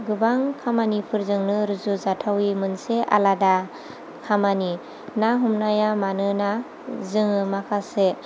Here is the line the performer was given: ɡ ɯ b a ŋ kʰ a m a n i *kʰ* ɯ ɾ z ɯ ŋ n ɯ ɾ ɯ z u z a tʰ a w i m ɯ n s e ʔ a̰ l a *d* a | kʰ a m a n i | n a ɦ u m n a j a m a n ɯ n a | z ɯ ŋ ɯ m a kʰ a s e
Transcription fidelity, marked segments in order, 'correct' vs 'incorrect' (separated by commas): incorrect, correct